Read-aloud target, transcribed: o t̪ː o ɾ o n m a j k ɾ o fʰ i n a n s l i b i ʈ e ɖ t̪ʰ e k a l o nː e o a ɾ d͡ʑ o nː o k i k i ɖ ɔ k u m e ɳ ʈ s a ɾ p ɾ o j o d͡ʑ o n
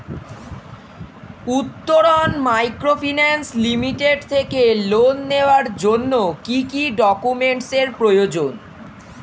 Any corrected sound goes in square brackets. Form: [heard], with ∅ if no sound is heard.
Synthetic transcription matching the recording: [u] t̪ː o ɾ o n m a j k ɾ o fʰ i n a n s l i [m] i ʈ e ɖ t̪ʰ e k [e] l o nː e o a ɾ d͡ʑ o nː o k i k i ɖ ɔ k u m e ɳ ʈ s [e] ɾ p ɾ o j o d͡ʑ o n